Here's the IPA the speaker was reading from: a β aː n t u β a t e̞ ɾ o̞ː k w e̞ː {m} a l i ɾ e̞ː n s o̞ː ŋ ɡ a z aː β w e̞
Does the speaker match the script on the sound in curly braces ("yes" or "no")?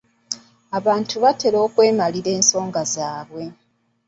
yes